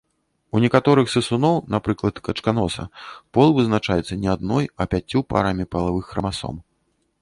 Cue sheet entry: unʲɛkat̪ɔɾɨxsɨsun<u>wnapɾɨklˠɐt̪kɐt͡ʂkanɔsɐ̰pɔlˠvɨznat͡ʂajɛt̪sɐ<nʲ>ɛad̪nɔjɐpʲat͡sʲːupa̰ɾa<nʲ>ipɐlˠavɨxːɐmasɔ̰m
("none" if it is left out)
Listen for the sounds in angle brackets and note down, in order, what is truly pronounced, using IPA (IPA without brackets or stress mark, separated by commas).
ɔ, nʲ, mʲ